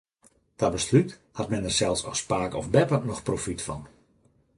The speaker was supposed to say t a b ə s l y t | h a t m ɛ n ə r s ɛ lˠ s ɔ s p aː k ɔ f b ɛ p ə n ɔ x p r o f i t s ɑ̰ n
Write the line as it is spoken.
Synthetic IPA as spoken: t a b ə s l y t | h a t m ɛ n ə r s ɛ lˠ s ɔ s p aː k ɔ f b ɛ p ə n ɔ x p r o f i t f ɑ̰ n